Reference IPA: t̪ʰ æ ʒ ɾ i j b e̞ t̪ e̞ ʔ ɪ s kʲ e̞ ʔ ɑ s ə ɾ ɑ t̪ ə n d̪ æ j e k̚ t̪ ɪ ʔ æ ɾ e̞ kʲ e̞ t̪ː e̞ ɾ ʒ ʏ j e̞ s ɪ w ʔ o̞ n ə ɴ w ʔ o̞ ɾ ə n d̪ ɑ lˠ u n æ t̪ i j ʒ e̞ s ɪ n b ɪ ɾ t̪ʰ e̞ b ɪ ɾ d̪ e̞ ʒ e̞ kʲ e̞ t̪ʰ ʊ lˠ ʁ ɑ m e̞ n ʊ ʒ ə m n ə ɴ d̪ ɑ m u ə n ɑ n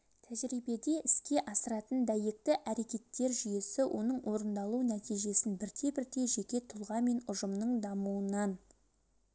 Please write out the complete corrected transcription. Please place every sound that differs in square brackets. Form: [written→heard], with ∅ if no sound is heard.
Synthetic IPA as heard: t̪ʰ æ ʒ ɾ i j b e̞ [t̪→d̪] e̞ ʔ ɪ s kʲ e̞ ʔ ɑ s ə ɾ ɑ t̪ ə n d̪ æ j e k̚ t̪ ɪ ʔ æ ɾ e̞ kʲ e̞ t̪ː e̞ ɾ ʒ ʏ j e̞ s ɪ w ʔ o̞ n ə ɴ w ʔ o̞ ɾ ə n d̪ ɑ lˠ u n æ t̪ i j ʒ e̞ s ɪ n b ɪ ɾ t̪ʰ e̞ b ɪ ɾ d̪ e̞ ʒ e̞ kʲ e̞ t̪ʰ ʊ lˠ ʁ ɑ m e̞ n ʊ ʒ ə m n ə ɴ d̪ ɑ m u ə n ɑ n